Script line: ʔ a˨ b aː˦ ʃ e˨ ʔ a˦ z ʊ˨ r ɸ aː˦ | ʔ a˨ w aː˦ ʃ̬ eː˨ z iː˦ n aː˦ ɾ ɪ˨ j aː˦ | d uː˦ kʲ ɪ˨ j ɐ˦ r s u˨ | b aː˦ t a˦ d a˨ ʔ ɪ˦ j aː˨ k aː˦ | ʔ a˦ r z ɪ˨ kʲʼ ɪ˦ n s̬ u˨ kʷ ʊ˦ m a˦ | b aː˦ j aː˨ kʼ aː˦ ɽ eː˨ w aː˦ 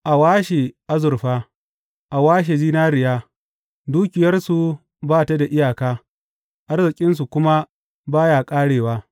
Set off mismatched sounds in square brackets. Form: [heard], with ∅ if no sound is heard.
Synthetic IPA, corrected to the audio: ʔ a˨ [w] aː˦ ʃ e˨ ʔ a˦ z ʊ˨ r ɸ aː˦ | ʔ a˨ w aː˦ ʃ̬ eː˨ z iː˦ n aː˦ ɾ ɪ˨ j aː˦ | d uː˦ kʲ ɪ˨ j ɐ˦ r s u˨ | b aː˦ t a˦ d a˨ ʔ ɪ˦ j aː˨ k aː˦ | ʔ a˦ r z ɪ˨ kʲʼ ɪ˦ n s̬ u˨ kʷ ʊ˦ m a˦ | b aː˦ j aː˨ kʼ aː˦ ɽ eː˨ w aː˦